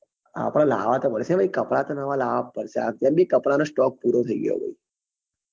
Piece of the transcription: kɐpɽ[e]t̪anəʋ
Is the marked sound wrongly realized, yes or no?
yes